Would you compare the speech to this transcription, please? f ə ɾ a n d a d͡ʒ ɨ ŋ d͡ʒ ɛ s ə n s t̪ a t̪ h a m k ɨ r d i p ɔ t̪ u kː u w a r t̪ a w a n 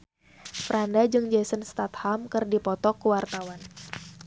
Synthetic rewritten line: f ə ɾ a n d a d͡ʒ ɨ ŋ d͡ʒ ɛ s ə n s t̪ a t̪ h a m k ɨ r d i p ɔ t̪ ɔ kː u w a r t̪ a w a n